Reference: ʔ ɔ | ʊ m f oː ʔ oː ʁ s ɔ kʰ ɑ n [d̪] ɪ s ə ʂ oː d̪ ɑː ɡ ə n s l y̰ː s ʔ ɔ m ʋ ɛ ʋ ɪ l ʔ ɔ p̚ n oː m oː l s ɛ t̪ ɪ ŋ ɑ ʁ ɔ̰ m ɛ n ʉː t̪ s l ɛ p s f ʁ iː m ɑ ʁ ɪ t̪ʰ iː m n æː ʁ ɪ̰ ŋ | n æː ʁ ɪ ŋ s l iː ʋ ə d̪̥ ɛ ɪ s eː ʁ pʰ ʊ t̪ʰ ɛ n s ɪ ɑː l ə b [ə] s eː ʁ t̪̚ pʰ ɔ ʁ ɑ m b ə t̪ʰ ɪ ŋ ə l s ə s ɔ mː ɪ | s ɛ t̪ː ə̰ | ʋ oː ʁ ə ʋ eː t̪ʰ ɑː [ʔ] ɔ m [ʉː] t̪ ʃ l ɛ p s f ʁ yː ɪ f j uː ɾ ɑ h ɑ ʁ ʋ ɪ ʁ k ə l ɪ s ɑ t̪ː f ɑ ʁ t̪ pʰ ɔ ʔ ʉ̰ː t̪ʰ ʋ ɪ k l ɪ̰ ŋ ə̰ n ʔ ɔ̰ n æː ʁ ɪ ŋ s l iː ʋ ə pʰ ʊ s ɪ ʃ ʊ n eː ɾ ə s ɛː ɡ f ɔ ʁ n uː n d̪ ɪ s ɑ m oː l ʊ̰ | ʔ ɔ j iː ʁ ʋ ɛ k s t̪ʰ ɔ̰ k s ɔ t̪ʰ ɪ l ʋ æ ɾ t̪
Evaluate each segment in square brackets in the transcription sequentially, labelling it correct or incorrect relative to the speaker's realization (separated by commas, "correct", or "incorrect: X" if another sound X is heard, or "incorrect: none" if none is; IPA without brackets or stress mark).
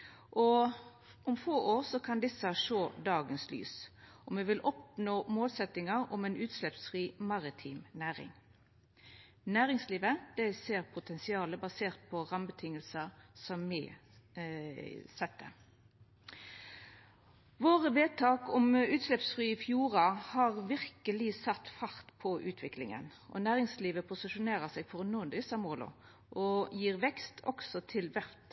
correct, incorrect: ɑ, incorrect: k, correct